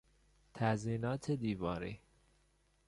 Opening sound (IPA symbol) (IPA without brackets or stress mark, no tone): t̪ʰ